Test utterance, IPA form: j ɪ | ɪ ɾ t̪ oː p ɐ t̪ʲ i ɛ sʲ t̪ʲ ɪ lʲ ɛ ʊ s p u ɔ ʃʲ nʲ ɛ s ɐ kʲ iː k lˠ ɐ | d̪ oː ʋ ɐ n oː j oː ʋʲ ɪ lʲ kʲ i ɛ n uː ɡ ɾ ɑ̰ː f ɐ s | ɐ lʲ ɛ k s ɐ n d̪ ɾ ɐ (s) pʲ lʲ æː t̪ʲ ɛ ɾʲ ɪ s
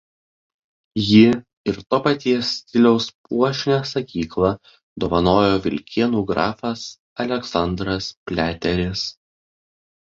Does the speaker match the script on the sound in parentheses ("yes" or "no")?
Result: yes